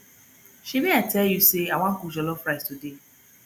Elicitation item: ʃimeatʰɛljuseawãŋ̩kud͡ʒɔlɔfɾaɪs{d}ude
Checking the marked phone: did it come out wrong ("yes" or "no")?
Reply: yes